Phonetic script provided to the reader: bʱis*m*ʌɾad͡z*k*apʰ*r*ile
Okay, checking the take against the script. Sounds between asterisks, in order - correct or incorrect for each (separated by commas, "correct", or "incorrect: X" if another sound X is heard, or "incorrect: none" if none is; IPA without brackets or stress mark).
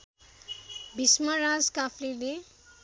correct, correct, incorrect: l